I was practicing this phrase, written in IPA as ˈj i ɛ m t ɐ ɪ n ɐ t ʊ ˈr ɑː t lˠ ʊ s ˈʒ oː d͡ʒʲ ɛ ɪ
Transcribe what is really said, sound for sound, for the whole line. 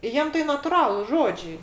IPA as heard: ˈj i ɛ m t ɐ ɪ n ɐ t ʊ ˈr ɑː lˠ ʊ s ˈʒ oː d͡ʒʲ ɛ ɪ